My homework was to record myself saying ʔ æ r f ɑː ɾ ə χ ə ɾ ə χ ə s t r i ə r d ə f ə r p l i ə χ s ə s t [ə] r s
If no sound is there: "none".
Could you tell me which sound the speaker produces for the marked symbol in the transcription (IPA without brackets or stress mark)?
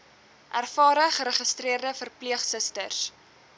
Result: ə